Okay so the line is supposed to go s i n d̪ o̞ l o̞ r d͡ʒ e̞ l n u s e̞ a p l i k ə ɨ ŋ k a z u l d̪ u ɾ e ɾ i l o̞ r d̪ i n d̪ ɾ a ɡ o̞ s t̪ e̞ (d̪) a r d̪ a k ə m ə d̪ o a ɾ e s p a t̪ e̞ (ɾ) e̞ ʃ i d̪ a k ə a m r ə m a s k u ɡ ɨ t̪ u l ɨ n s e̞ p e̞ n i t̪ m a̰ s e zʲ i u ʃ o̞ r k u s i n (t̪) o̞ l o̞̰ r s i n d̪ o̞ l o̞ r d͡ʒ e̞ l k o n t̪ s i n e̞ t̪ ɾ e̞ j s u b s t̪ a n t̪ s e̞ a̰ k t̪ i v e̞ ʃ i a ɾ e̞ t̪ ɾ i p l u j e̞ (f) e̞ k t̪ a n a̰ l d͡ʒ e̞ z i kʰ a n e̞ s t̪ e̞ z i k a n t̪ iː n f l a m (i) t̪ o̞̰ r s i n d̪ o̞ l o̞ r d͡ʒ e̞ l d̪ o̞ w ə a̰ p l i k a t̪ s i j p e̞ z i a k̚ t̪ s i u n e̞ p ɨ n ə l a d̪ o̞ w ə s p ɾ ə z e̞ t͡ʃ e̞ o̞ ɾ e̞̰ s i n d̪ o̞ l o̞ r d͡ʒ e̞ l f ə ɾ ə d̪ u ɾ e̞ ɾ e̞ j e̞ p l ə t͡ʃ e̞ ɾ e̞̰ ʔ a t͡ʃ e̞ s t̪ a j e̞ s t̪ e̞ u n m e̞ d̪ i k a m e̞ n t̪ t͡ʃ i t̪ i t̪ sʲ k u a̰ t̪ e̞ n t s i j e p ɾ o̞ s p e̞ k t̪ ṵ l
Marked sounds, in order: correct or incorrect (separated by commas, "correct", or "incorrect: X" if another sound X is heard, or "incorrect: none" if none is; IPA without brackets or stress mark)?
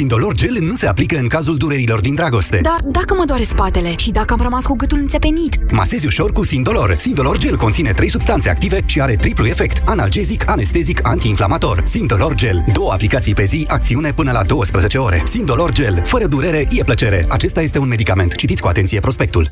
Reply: correct, incorrect: l, incorrect: d̪, correct, incorrect: a